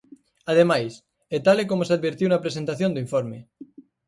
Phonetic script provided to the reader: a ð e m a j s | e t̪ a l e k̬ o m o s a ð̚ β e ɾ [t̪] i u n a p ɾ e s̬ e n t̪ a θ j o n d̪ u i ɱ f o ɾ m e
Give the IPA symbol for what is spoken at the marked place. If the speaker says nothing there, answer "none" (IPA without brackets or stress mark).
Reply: t̪